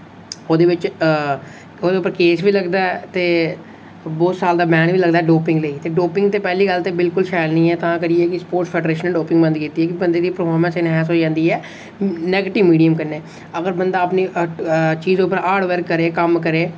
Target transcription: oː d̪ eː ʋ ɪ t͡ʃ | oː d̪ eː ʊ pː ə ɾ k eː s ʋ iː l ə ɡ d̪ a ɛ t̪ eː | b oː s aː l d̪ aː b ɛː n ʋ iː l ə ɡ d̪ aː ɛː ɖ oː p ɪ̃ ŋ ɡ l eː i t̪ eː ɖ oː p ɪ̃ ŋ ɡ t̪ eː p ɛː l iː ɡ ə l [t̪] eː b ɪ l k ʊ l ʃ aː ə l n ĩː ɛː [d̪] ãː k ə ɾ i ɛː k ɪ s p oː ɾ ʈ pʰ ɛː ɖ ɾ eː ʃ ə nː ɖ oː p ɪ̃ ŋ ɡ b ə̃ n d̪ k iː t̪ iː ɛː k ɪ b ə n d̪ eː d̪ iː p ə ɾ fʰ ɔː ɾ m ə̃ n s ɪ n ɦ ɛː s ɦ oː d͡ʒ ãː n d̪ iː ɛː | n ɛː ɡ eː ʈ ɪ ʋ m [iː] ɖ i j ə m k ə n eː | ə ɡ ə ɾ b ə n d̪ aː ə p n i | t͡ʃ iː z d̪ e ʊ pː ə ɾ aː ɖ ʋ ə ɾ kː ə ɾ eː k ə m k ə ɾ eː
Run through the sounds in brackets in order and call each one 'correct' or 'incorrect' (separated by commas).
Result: correct, incorrect, correct